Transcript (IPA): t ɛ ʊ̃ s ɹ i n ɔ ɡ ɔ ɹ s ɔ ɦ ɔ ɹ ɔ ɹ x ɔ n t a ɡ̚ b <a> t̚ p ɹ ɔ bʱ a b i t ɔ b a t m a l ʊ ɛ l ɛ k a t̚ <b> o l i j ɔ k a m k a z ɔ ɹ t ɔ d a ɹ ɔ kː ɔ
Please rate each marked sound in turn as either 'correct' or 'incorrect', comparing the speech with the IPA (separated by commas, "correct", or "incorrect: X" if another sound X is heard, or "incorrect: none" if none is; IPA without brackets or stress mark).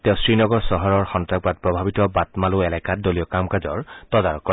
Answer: correct, incorrect: d